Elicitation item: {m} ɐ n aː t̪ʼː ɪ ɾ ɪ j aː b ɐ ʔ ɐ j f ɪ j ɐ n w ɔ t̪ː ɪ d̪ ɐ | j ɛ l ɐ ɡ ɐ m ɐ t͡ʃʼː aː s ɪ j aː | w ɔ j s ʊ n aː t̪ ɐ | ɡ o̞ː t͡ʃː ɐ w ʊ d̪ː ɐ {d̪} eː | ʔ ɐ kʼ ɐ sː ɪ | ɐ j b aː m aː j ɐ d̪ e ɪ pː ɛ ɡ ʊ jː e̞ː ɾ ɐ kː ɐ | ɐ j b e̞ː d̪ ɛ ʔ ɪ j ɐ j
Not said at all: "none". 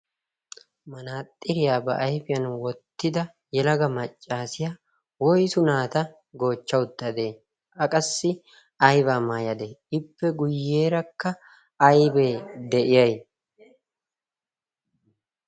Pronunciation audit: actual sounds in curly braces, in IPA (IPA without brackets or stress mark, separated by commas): m, d̪